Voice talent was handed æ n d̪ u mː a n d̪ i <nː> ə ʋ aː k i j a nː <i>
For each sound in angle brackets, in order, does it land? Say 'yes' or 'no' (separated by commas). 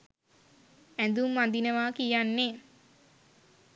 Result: no, no